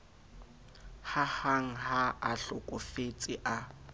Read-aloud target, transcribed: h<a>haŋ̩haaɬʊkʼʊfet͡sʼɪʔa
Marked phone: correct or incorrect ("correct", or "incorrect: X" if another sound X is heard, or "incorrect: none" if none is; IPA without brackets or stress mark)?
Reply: correct